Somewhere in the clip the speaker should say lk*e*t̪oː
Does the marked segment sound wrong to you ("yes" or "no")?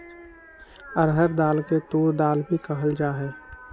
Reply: no